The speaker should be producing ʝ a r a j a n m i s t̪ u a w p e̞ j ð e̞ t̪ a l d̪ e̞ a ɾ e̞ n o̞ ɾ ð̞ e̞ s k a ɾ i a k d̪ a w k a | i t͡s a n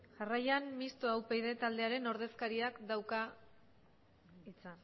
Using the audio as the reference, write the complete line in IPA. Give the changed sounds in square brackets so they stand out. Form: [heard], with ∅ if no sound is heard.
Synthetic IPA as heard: ʝ a r a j a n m i s t̪ [o] a w p e̞ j ð e̞ t̪ a l d̪ e̞ a ɾ e̞ n o̞ ɾ ð̞ e̞ s k a ɾ i a k d̪ a w k a | i t͡s a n